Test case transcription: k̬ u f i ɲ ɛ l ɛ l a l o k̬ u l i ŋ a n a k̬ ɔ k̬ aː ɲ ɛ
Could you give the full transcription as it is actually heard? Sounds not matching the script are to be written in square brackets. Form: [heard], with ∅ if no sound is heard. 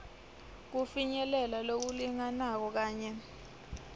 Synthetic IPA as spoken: k̬ u f i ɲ ɛ l ɛ l a l o k̬ u l i ŋ a n a k̬ ɔ k̬ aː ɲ ɛ